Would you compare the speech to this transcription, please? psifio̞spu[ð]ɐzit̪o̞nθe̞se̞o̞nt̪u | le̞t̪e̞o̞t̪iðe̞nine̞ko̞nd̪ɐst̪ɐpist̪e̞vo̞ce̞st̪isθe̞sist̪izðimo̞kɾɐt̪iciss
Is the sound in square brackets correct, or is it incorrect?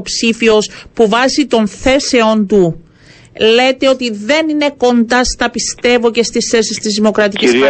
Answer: incorrect